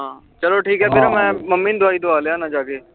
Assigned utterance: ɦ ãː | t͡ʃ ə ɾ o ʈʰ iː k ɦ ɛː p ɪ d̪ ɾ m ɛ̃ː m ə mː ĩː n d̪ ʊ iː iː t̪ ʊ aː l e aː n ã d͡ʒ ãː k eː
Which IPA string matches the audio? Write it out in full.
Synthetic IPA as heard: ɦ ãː | t͡ʃ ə l o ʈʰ iː k ɦ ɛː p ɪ ɾ m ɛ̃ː m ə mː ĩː n d̪ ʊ aː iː d̪ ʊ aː l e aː n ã d͡ʒ aː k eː